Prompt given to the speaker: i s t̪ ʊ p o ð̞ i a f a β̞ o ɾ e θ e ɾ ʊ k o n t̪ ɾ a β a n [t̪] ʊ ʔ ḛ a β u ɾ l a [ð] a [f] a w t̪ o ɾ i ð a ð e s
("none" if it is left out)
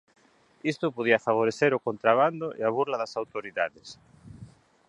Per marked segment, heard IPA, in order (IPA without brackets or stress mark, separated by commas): d̪, ð, s